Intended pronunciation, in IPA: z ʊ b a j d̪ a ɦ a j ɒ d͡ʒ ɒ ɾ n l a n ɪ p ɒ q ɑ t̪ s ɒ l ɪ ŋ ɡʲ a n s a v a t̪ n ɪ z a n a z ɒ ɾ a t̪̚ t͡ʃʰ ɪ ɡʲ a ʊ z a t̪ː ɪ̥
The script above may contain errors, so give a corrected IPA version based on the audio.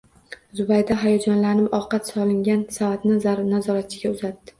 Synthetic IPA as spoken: z ʊ b a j d̪ a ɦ a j ɒ d͡ʒ ɒ n l a n ɪ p ɒ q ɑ t̪ s ɒ l ɪ ŋ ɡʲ a n s a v a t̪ n ɪ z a n a z ɒ ɾ a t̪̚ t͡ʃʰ ɪ ɡʲ a ʊ z a t̪ː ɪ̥